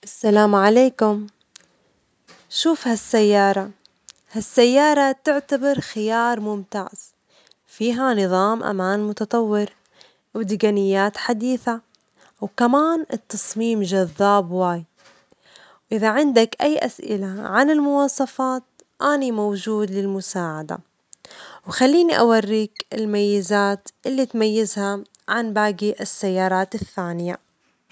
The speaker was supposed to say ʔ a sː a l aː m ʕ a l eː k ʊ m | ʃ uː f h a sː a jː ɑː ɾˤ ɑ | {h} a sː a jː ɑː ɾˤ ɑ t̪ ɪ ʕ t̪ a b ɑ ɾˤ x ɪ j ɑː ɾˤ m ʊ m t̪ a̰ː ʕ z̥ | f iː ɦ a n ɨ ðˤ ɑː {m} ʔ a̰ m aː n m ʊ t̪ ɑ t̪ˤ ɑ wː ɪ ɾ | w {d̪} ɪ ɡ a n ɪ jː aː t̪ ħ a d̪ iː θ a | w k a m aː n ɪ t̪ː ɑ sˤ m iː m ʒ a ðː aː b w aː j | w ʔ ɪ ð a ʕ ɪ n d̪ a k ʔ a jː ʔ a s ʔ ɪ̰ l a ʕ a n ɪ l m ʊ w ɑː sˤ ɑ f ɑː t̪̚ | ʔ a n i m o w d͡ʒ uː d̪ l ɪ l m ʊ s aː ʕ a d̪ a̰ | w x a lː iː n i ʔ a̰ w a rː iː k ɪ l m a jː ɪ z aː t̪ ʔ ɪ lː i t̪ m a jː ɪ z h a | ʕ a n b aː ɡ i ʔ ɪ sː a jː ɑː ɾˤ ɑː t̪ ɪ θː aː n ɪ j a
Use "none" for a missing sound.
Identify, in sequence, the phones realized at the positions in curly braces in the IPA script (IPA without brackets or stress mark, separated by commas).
h, m, d̪